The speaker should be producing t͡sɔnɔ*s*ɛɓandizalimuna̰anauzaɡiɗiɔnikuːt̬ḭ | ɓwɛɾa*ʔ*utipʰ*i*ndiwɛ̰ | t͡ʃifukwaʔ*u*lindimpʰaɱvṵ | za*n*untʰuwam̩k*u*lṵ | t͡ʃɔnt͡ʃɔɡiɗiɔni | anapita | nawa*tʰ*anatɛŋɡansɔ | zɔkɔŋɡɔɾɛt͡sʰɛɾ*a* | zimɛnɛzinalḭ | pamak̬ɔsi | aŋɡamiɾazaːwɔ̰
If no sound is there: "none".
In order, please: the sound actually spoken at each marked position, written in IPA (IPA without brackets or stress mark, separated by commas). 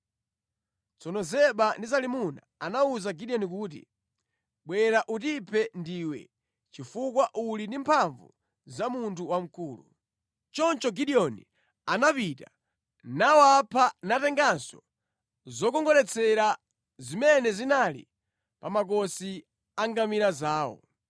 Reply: z, ʔ, ɛ, u, m, uː, pʰ, a